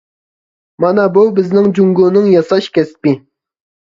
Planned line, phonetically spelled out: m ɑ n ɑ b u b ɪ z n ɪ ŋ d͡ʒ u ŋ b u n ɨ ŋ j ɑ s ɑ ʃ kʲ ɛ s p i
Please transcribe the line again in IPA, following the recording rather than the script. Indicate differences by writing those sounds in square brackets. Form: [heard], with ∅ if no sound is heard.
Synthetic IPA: m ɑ n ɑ b u b ɪ z n ɪ ŋ d͡ʒ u ŋ [ɡ] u n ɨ ŋ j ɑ s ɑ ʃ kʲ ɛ s p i

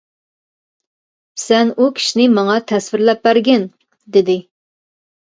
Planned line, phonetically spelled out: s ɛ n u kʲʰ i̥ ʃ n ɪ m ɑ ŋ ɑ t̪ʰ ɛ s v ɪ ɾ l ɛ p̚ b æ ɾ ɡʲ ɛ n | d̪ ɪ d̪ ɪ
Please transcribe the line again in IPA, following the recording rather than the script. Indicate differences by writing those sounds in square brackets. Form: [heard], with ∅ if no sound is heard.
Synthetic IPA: s ɛ n u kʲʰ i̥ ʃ n ɪ m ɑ ŋ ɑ t̪ʰ ɛ s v ɪ ɾ l ɛ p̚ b æ ɾ ɡʲ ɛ n | d̪ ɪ d̪ ɪ

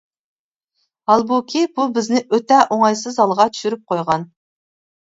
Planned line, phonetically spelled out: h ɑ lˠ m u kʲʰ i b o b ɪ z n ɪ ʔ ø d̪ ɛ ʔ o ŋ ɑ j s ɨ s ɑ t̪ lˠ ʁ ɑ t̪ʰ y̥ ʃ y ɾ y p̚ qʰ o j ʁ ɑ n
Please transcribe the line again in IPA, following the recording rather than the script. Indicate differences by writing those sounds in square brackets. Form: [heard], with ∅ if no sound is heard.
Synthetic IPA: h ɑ lˠ [b] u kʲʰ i b [u] b ɪ z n ɪ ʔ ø [t̪] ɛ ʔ o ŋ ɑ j s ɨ [z] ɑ [∅] lˠ ʁ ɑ t̪ʰ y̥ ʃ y ɾ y p̚ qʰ o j ʁ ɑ n

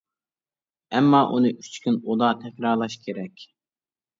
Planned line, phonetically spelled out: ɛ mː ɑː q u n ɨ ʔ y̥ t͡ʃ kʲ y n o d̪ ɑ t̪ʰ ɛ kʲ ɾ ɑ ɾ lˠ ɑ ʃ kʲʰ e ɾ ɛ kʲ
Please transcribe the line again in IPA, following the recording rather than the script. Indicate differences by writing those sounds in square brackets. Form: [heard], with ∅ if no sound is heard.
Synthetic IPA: ɛ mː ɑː [ʔ] u n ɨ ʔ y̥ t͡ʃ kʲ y n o d̪ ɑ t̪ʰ ɛ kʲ ɾ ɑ ɾ lˠ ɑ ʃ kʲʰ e ɾ ɛ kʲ

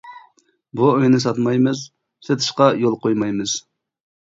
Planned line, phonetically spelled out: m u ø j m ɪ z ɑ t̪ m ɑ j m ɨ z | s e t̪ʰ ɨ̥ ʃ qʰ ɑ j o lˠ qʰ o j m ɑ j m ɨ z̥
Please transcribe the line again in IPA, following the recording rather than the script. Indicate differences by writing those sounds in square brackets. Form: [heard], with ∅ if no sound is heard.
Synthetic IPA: [b] u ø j [n] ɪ [s] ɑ t̪ m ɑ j m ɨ z | s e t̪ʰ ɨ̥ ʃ [q] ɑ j o lˠ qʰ o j m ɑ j m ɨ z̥

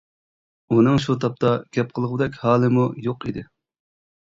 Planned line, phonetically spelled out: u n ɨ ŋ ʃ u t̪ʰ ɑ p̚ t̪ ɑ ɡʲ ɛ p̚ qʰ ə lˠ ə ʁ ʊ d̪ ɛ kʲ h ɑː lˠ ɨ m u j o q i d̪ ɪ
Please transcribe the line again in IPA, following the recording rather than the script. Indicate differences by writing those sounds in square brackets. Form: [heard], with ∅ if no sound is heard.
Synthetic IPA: u n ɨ ŋ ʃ u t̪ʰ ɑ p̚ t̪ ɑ ɡʲ ɛ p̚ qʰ ə lˠ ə ʁ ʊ d̪ ɛ kʲ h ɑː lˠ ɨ m u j o q i d̪ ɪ

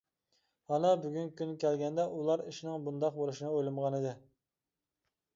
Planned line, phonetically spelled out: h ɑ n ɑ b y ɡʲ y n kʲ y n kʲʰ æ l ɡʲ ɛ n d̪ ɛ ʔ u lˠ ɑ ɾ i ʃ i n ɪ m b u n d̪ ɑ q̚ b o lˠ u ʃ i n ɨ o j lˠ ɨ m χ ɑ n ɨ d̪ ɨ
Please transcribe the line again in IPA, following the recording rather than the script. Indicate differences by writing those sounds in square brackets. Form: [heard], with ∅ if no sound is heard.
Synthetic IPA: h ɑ n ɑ b y ɡʲ y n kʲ y n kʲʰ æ l ɡʲ ɛ n d̪ ɛ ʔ u lˠ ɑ ɾ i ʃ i n ɪ [ŋ] b u n d̪ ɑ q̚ b o lˠ u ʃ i n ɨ o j lˠ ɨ m [ʁ] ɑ n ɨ d̪ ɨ

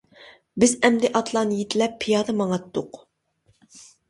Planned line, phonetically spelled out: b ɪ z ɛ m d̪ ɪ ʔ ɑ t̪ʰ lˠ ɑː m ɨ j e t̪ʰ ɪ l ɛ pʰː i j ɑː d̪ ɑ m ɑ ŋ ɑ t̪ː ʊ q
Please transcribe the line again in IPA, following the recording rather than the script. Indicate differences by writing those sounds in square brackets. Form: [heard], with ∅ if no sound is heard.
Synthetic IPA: b ɪ z ɛ m d̪ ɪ ʔ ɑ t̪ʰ lˠ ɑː [n] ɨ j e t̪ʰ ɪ l ɛ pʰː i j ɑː d̪ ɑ m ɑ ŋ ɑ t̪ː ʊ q

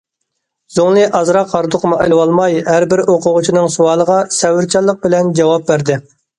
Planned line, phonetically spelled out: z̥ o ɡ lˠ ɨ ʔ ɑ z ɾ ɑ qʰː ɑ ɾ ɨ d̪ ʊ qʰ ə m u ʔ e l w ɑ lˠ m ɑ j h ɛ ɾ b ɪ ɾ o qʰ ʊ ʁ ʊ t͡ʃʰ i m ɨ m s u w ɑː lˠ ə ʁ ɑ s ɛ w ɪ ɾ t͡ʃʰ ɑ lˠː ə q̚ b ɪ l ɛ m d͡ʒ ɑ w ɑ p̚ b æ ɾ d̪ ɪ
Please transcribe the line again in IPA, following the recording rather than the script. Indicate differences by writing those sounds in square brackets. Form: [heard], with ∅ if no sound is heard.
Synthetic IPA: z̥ o [ŋ] lˠ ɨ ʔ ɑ z ɾ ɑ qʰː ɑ ɾ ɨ d̪ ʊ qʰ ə m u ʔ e l w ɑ lˠ m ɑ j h [æ] ɾ b ɪ ɾ o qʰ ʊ ʁ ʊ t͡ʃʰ i [n] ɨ [ŋ] s u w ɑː lˠ ə ʁ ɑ s ɛ w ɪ ɾ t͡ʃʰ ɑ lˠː ə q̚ b ɪ l ɛ [n] d͡ʒ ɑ w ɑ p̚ b æ ɾ d̪ ɪ

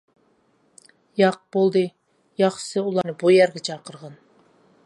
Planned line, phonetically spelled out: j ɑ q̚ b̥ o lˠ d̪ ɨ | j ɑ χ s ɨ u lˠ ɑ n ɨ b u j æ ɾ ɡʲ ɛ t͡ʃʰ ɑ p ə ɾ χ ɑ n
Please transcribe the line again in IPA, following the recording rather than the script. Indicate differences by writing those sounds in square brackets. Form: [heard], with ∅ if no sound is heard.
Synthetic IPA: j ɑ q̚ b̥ o lˠ d̪ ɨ | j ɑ χ s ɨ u lˠ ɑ n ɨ b u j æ ɾ ɡʲ ɛ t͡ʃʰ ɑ [q] ə ɾ [ʁ] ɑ n

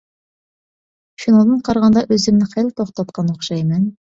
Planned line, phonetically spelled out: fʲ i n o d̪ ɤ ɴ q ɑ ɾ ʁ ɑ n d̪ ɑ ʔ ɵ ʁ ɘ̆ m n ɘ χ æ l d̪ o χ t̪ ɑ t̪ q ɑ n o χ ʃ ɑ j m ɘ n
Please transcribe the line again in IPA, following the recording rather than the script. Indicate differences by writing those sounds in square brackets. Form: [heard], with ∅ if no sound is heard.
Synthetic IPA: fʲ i n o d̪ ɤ ɴ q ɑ ɾ ʁ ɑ n d̪ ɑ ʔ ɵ [z] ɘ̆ m n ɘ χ æ l [t̪] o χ t̪ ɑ t̪ q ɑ n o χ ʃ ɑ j m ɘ n

